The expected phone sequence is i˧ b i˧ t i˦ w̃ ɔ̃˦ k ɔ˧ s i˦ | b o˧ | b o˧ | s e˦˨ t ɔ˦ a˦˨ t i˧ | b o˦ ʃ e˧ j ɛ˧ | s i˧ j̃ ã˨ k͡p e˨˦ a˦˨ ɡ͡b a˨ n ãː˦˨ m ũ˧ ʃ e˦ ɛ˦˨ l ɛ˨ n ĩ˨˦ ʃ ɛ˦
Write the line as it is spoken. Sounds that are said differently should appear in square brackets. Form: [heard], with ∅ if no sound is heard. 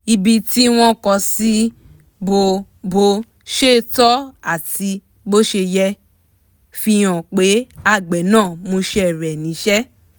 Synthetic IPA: i˧ b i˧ t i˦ w̃ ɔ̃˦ k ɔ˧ s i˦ | b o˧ | b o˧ | [ʃ] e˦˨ t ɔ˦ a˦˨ t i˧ | b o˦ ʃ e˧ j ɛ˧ | [f] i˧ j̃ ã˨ k͡p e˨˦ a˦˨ ɡ͡b [ɛ˨] n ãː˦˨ m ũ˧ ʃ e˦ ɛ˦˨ [ɾ] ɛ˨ n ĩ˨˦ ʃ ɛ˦